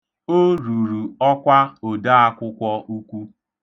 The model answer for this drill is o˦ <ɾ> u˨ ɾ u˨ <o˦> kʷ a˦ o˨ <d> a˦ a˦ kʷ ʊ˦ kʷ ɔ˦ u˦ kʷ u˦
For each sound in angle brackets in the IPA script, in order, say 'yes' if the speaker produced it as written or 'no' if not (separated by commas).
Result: yes, no, yes